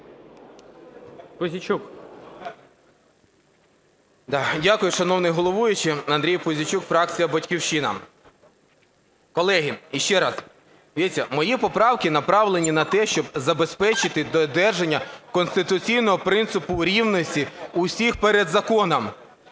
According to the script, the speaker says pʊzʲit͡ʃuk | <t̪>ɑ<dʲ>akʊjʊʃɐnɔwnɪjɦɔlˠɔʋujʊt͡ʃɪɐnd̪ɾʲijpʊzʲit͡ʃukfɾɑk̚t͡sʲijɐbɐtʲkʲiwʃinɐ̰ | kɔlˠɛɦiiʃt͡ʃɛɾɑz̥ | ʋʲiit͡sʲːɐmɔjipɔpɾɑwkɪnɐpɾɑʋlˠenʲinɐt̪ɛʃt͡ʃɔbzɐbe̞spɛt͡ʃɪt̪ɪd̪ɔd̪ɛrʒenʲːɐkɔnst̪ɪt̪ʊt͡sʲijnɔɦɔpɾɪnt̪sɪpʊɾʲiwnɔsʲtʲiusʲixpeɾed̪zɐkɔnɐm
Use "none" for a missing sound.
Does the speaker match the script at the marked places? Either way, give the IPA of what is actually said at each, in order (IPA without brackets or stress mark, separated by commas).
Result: d̪, dʲ